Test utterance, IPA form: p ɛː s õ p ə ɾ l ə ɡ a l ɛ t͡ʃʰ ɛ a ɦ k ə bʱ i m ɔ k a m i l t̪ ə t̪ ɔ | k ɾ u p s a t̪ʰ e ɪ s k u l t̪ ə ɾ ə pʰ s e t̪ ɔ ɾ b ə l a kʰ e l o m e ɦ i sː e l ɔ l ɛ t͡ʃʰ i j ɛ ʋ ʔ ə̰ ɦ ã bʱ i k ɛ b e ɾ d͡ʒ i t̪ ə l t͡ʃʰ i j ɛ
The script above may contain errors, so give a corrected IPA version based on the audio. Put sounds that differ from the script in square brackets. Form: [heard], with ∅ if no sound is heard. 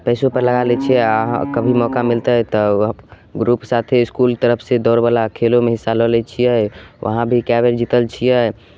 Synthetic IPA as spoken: p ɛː s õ p ə ɾ l ə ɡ a l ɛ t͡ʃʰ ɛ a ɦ k ə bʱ i m ɔ k a m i l t̪ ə t̪ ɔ | [ɡ] ɾ u p s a t̪ʰ e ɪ s k u l t̪ ə ɾ ə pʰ s e [d̪] ɔ ɾ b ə l a kʰ e l o m e ɦ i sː [a] l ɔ l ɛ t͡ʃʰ i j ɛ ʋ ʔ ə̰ ɦ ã bʱ i k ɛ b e ɾ d͡ʒ i t̪ ə l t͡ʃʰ i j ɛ